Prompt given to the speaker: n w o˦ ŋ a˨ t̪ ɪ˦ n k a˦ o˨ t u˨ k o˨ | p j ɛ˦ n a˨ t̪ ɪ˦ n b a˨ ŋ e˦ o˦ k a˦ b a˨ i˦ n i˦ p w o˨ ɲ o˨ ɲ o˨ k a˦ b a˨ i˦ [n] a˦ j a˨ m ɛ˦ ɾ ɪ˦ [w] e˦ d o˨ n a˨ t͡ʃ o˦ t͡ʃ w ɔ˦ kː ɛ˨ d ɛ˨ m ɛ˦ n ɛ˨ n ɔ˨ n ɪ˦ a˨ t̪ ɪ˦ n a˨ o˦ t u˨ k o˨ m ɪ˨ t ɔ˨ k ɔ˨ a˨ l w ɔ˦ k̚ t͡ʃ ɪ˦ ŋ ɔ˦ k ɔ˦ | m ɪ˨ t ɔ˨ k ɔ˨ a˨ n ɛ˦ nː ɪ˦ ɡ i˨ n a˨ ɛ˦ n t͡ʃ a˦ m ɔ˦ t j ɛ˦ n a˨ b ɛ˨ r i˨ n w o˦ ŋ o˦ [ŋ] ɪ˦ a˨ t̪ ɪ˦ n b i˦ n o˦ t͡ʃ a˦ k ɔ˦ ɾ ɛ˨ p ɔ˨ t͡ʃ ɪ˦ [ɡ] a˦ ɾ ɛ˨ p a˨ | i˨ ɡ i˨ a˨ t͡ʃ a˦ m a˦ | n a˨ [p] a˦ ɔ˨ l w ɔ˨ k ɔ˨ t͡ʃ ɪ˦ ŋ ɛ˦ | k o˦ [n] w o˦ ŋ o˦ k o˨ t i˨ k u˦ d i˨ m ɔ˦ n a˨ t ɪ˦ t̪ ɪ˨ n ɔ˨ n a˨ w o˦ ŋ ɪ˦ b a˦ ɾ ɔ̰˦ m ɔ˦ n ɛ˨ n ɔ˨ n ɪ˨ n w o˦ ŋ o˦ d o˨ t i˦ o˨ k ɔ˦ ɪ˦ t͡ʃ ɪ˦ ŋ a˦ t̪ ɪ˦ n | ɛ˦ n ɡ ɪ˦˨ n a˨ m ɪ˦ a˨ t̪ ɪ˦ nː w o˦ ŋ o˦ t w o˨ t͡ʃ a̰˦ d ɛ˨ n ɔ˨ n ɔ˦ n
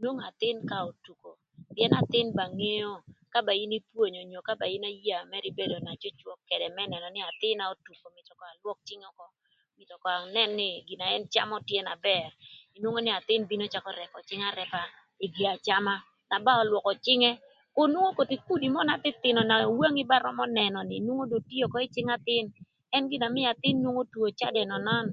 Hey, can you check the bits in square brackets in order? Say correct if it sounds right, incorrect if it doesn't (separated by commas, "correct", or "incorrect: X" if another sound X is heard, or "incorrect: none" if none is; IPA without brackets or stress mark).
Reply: correct, incorrect: b, incorrect: n, incorrect: ŋ, incorrect: b, correct